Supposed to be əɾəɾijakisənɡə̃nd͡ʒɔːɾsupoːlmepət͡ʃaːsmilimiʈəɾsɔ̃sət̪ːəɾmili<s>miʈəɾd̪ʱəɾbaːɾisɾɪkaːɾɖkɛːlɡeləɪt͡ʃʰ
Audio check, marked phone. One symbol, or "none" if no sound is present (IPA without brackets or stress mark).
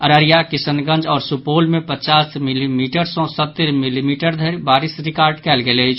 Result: none